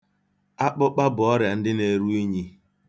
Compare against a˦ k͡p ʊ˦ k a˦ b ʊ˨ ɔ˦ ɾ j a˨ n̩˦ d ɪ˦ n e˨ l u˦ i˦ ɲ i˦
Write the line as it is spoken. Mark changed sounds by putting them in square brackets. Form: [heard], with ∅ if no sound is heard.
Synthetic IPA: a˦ k͡p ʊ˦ [k͡p] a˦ b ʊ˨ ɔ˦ ɾ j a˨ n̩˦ d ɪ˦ n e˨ [ɾ] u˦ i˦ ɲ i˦

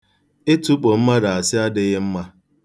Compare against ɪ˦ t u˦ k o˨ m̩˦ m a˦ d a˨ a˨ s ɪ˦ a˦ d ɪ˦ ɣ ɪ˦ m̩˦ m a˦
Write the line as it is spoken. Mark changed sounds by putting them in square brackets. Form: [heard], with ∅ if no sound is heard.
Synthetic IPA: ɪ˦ t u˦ [k͡p] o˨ m̩˦ m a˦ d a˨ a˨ s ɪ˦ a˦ d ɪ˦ ɣ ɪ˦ m̩˦ m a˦

